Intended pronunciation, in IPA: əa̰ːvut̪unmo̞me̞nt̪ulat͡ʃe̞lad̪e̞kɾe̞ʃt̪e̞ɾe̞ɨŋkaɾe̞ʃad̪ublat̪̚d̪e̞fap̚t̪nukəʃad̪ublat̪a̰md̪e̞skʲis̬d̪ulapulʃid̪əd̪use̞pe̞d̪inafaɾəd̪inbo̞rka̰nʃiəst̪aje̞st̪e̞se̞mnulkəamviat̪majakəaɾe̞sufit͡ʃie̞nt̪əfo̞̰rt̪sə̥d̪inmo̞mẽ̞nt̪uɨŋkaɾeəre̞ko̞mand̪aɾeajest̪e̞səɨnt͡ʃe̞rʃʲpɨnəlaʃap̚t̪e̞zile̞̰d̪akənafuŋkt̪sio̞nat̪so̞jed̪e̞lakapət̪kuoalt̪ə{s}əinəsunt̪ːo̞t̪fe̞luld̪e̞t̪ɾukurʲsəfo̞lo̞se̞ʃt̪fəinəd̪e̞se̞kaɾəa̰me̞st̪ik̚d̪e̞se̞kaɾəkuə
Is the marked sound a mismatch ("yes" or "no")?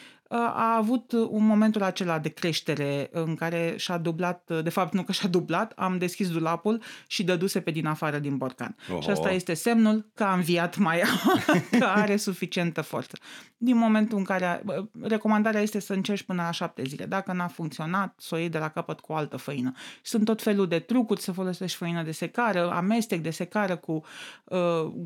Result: yes